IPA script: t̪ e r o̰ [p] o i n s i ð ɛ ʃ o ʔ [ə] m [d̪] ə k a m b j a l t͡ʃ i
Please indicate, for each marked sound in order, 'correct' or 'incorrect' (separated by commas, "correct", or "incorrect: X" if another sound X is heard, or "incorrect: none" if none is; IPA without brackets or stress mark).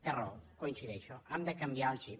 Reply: incorrect: k, incorrect: a, correct